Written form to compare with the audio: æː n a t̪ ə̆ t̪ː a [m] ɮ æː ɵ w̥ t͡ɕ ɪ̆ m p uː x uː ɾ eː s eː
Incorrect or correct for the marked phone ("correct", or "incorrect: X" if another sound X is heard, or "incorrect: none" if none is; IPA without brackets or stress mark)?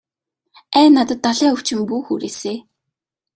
incorrect: none